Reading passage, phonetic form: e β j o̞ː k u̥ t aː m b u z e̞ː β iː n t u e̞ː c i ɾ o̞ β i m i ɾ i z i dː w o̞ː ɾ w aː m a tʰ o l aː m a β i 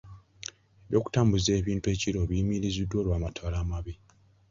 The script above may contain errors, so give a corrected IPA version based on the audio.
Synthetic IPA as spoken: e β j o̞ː k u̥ t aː m b u z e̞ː β iː n t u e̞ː c i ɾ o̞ β i m i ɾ i z i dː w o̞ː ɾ w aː m a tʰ o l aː m a β i